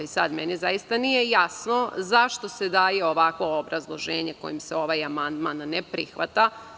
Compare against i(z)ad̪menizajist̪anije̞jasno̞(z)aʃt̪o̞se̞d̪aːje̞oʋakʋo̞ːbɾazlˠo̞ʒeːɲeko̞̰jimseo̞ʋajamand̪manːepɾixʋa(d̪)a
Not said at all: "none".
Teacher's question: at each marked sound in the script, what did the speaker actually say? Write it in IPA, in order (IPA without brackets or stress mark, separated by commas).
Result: s, z, t̪